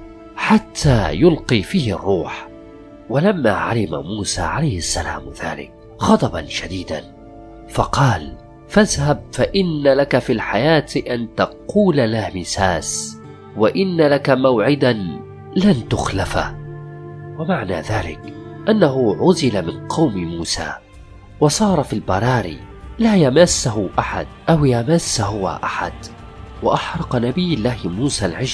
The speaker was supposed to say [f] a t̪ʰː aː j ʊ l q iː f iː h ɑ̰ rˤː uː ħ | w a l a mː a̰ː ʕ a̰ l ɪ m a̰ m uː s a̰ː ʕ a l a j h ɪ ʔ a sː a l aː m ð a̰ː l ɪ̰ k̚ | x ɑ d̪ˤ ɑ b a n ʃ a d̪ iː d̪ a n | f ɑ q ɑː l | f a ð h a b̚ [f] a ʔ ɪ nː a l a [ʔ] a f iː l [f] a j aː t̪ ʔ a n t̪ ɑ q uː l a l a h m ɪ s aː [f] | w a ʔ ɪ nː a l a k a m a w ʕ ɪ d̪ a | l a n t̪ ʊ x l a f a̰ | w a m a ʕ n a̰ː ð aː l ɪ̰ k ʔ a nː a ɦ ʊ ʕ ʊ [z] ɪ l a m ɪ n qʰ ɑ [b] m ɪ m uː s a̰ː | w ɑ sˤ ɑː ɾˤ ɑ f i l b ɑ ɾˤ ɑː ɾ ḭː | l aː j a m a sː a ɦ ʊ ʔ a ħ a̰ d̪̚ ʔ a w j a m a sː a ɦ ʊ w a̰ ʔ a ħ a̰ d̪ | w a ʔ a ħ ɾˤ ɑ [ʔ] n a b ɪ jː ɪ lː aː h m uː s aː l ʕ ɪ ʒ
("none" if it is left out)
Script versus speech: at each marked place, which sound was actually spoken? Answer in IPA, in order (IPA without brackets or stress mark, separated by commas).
ħ, f, k, ħ, s, z, w, q